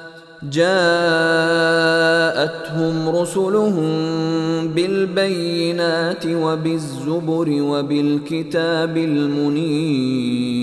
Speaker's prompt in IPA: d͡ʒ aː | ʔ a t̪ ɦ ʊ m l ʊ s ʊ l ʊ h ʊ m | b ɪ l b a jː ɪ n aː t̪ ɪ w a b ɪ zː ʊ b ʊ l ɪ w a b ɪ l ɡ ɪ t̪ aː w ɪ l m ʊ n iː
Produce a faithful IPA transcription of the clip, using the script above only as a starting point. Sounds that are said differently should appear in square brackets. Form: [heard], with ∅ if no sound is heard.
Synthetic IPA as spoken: d͡ʒ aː | ʔ a t̪ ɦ ʊ m [ɾ] ʊ s ʊ l ʊ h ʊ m | b ɪ l b a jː ɪ n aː t̪ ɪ w a b ɪ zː ʊ b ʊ [ɾ] ɪ w a b ɪ l [k] ɪ t̪ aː [b] ɪ l m ʊ n iː